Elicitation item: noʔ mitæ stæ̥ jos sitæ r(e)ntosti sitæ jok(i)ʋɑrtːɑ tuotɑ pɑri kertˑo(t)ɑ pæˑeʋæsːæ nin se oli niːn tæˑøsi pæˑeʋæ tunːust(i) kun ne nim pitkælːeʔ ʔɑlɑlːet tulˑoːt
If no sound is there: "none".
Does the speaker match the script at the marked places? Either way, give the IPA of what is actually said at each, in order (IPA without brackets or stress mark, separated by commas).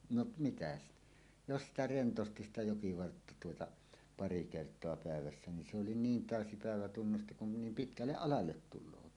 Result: e, i, none, i